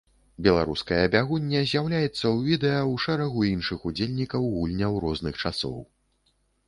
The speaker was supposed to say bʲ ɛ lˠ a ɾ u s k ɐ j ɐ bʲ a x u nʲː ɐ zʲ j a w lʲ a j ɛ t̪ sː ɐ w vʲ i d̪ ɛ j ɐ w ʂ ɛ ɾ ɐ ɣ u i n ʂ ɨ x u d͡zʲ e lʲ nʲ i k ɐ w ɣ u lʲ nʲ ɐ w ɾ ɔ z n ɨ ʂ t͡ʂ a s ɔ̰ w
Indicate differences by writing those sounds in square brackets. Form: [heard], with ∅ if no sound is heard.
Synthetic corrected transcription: bʲ ɛ lˠ a ɾ u s k ɐ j ɐ bʲ a [ɣ] u nʲː ɐ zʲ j a w lʲ a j ɛ t̪ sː ɐ w vʲ i d̪ ɛ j ɐ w ʂ ɛ ɾ ɐ ɣ u i n ʂ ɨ x u d͡zʲ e lʲ nʲ i k ɐ w ɣ u lʲ nʲ ɐ w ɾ ɔ z n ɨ [x] t͡ʂ a s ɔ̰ w